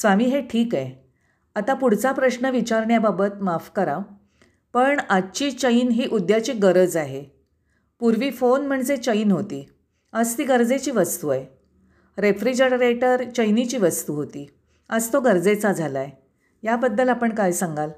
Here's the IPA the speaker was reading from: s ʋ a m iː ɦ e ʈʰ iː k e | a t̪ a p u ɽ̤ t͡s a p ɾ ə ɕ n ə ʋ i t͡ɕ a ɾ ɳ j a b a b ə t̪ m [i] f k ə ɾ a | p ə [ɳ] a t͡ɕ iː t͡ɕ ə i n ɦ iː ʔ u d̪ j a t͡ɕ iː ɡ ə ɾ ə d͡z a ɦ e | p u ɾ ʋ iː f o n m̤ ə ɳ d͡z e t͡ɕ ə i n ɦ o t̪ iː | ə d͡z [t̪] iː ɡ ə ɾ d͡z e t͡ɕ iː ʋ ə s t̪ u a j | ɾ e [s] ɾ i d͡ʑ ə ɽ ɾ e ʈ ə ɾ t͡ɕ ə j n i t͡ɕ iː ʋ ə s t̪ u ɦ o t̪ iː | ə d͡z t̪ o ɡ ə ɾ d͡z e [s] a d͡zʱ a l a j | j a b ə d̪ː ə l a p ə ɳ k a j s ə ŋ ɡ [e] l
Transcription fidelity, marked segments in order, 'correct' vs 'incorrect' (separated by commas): incorrect, correct, correct, incorrect, incorrect, incorrect